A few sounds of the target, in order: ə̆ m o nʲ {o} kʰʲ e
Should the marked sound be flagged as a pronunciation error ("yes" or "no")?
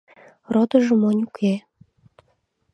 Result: yes